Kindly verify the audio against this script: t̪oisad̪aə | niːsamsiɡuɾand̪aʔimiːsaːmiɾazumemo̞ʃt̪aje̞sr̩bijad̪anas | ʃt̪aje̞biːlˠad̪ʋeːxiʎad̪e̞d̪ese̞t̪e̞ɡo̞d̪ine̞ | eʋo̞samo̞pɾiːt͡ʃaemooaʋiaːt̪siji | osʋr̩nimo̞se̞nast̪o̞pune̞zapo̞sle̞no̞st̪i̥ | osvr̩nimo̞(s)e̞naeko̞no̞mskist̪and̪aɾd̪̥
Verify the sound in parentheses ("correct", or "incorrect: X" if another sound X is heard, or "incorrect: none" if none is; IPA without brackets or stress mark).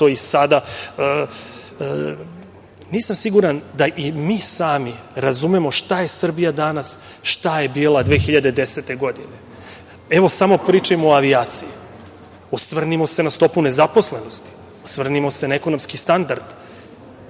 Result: correct